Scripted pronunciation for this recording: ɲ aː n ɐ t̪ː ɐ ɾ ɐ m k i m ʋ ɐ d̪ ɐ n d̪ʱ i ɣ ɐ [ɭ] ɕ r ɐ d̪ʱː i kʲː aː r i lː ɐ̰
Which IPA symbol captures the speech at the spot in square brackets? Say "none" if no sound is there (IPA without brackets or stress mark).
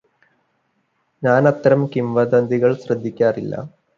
ɭ